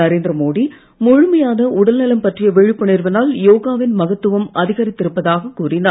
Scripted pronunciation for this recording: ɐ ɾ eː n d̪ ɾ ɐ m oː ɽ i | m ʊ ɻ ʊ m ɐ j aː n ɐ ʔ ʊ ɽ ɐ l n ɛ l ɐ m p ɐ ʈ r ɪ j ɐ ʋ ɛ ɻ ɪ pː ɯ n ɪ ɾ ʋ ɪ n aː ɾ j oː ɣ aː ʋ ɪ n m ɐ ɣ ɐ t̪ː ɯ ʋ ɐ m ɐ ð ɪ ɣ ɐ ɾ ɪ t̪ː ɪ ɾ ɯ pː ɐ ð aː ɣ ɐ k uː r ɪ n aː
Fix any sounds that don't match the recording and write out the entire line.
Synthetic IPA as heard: ɐ ɾ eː n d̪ ɾ ɐ m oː ɽ i | m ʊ ɻ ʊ m ɐ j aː n ɐ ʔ ʊ ɽ ɐ l n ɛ l ɐ m p ɐ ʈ r ɪ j ɐ ʋ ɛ ɻ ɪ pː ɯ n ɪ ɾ ʋ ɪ n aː l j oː ɣ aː ʋ ɪ n m ɐ ɣ ɐ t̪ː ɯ ʋ ɐ m ɐ ð ɪ ɣ ɐ ɾ ɪ t̪ː ɪ ɾ ɯ pː ɐ ð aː ɣ ɐ k uː r ɪ n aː